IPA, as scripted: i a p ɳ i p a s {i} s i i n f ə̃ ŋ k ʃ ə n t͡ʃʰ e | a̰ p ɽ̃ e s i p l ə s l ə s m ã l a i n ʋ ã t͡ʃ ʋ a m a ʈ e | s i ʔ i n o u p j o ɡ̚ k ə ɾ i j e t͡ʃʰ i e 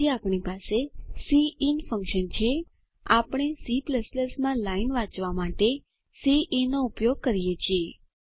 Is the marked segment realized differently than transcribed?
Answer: yes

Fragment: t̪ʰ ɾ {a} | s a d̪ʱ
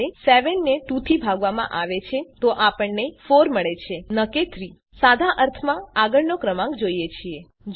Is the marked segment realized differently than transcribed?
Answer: yes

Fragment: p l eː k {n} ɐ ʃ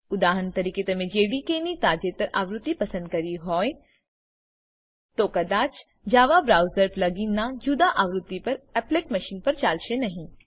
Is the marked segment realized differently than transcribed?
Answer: yes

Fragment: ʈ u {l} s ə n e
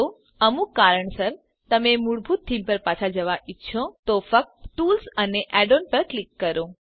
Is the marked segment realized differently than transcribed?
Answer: no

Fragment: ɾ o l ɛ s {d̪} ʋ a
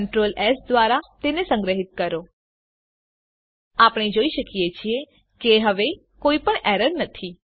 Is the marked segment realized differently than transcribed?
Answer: no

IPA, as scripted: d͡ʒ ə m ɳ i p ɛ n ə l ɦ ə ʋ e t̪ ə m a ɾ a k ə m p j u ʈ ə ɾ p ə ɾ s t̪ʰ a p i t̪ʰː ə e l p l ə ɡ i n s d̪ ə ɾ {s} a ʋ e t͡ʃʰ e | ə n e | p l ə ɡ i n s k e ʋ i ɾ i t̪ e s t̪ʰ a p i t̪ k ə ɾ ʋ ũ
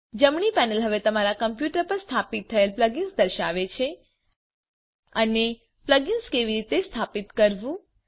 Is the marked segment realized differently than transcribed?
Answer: yes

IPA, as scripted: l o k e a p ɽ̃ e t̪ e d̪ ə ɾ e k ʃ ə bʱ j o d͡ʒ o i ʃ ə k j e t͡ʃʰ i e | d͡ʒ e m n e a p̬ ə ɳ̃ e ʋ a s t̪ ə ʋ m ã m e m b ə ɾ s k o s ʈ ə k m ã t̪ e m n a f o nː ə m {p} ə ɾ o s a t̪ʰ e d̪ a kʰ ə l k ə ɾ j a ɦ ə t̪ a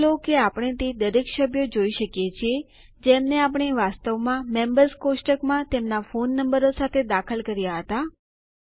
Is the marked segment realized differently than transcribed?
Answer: yes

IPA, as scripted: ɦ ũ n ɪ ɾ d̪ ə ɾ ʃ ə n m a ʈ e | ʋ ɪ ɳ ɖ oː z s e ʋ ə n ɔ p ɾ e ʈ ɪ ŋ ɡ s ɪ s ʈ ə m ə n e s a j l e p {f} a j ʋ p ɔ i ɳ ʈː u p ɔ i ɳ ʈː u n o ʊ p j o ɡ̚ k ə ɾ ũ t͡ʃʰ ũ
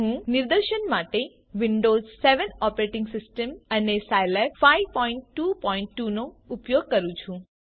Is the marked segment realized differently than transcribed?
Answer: no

